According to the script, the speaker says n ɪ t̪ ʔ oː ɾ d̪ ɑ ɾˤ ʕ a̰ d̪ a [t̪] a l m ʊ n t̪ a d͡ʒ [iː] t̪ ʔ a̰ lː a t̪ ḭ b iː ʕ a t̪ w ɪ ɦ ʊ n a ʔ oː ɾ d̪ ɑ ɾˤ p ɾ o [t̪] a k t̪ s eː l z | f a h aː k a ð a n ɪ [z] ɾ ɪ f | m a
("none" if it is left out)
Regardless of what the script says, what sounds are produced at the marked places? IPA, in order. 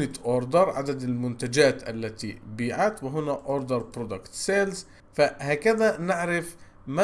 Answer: d̪, aː, d̪, ʕ

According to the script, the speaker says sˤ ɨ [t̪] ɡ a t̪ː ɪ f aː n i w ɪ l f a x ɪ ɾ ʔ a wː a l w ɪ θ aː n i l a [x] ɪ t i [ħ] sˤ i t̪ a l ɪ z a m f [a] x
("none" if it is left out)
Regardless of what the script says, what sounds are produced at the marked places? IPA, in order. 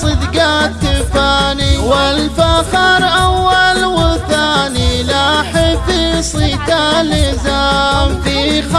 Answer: d̪, ħ, none, i

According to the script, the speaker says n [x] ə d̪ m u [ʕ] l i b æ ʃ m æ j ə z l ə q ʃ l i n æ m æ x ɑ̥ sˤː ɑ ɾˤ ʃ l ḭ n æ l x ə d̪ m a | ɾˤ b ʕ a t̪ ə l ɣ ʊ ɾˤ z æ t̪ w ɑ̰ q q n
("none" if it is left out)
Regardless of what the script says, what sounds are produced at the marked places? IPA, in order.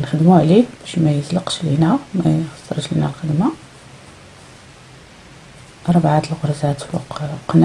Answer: x, ʕ

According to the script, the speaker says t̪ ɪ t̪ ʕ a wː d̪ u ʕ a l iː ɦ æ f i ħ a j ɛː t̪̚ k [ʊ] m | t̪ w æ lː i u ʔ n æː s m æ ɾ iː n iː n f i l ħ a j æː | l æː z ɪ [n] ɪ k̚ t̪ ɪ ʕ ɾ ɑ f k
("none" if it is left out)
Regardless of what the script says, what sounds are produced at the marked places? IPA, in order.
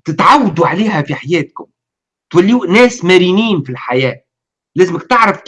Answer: ʊ, m

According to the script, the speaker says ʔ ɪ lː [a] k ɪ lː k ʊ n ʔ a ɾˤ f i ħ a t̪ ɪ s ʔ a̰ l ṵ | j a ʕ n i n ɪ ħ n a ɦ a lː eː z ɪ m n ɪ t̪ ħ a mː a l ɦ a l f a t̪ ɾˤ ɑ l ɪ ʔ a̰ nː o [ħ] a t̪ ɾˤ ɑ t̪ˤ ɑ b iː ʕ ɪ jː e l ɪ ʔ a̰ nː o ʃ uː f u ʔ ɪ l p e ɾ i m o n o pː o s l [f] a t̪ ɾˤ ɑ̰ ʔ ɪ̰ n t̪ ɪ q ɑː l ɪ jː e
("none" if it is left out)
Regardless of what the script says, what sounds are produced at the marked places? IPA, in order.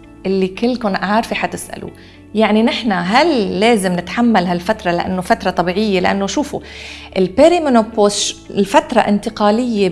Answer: i, f, f

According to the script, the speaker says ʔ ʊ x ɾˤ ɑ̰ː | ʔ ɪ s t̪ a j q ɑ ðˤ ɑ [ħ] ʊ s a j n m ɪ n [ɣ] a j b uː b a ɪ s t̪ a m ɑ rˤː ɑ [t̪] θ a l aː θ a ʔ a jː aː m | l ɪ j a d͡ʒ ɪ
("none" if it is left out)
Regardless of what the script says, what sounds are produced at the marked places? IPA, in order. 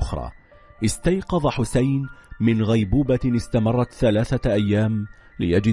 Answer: ħ, ɣ, t̪

